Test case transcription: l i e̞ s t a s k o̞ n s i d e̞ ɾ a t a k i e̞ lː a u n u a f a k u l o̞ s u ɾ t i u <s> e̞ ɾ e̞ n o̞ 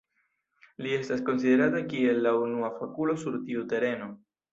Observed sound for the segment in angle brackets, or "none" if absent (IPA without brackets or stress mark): t